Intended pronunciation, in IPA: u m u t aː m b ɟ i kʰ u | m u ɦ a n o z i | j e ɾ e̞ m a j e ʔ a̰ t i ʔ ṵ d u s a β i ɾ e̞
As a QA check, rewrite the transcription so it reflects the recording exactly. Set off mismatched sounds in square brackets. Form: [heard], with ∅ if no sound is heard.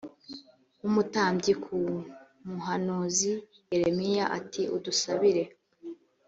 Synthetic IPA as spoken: u m u t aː m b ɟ i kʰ u | m u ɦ a n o z i | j e ɾ e̞ m [i] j [a] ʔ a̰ t i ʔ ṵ d u s a β i ɾ e̞

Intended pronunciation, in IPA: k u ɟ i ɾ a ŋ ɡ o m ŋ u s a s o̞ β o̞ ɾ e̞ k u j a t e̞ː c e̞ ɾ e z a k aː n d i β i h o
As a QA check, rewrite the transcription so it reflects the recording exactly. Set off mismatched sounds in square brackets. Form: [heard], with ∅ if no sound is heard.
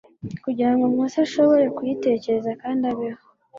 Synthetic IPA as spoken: k u ɟ i ɾ a ŋ ɡ o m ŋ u s a [ʃ] o̞ β o̞ ɾ e̞ k u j [i] t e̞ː c e̞ ɾ e z a k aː n d [a] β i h o

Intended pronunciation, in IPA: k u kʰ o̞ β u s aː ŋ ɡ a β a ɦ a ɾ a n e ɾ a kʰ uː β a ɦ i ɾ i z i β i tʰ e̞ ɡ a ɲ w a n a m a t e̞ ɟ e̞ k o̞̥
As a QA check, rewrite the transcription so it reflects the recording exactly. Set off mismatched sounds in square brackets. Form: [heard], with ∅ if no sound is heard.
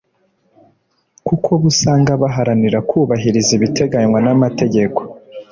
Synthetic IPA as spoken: k u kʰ o̞ β u s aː ŋ ɡ a β a ɦ a ɾ a n [i] ɾ a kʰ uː β a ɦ i ɾ i z i β i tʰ e̞ ɡ a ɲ w a n a m a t e̞ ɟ e̞ k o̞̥

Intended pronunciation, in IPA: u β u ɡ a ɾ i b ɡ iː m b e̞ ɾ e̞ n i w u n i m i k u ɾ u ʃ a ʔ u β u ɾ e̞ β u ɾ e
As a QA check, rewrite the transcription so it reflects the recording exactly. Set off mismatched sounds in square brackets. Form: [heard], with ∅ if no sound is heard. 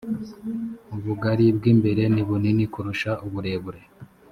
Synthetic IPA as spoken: u β u ɡ a ɾ i b ɡ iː m b e̞ ɾ e̞ n i [β] u n i [n] i k u ɾ u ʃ a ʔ u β u ɾ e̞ β u ɾ e

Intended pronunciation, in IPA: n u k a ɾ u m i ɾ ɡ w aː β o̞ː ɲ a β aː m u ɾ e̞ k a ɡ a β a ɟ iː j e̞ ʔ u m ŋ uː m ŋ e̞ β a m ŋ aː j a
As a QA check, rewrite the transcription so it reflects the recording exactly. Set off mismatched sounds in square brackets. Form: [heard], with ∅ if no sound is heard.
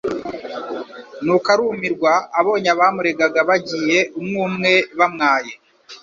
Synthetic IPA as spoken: n u k a ɾ u m i ɾ ɡ w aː β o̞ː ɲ a β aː m u ɾ e̞ [ɡ] a ɡ a β a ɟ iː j e̞ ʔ u m ŋ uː m ŋ e̞ β a m ŋ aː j [e]

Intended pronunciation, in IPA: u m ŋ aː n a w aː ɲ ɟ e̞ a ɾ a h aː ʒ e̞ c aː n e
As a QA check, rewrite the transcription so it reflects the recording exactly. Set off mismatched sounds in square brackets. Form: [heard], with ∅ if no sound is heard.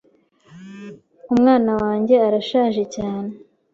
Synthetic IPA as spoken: u m ŋ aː n a w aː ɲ ɟ e̞ a ɾ a [ʃ] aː ʒ e̞ c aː n e

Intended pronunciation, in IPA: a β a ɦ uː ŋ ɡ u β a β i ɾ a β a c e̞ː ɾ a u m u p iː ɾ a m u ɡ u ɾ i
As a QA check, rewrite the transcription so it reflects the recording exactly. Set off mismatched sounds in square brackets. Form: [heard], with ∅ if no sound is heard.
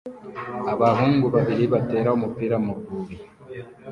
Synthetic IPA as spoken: a β a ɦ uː ŋ ɡ u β a β i ɾ [i] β a [t] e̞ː ɾ a u m u p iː ɾ a m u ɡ u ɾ i

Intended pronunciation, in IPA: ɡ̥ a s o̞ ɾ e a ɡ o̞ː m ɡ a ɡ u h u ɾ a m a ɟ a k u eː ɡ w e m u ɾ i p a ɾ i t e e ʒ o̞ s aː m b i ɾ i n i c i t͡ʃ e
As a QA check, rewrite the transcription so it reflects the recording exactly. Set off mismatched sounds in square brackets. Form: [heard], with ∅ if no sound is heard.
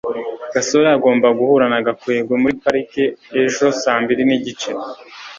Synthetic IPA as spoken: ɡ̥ a s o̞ ɾ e a ɡ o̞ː m [b] a ɡ u h u ɾ a [n] a [ɡ] a k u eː ɡ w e m u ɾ i p a ɾ i [k] e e ʒ o̞ s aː m b i ɾ i n i [ɟ] i t͡ʃ e

